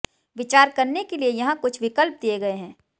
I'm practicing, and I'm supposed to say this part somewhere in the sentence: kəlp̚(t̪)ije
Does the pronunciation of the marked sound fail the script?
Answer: yes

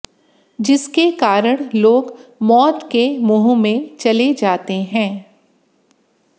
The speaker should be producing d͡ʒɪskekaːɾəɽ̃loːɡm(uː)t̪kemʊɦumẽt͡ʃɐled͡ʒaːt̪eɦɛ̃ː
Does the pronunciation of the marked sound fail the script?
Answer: yes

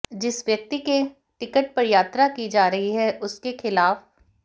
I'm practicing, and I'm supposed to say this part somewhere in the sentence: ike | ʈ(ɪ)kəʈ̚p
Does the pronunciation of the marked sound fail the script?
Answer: no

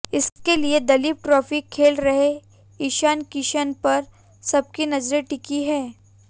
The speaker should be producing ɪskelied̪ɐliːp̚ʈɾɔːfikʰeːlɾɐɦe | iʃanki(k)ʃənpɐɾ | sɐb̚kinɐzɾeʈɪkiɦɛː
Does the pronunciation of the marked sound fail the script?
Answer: yes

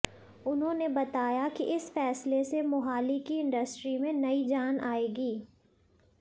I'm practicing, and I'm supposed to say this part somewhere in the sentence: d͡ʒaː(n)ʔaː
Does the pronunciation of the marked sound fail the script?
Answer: no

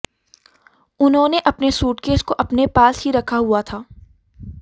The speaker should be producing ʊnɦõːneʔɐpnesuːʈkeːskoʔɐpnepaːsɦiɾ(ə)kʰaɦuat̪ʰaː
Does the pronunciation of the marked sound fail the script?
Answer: yes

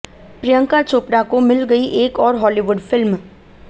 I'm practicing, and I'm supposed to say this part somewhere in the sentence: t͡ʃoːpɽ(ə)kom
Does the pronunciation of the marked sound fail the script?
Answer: yes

